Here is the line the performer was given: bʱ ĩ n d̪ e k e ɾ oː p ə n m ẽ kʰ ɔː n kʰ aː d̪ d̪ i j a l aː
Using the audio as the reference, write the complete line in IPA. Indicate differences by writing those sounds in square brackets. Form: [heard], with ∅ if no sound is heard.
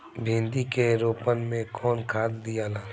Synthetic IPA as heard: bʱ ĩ n d̪ [i] k e ɾ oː p ə n m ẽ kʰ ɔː n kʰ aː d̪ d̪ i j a l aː